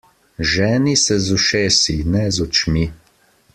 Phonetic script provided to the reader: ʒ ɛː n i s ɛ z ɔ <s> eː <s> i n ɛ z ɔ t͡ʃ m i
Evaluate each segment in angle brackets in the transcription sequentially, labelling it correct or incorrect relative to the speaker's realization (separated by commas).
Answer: incorrect, correct